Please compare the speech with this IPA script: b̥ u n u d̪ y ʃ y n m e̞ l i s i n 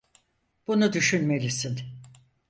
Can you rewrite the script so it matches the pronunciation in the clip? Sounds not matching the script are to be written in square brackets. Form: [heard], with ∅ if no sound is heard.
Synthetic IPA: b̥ u n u d̪ y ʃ y n m e̞ l i s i n

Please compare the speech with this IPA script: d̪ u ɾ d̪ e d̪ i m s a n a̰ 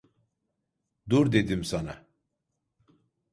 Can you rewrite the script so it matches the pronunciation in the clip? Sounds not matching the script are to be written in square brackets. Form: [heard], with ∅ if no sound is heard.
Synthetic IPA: d̪ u ɾ d̪ e d̪ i m s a n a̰

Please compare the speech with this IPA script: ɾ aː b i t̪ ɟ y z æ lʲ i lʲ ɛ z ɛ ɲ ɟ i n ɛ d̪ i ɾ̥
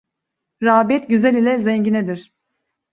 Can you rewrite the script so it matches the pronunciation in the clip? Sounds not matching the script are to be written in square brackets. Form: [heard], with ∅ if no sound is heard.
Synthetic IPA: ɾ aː b [ɛ] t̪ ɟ y z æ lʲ i lʲ ɛ z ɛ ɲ ɟ i n ɛ d̪ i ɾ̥

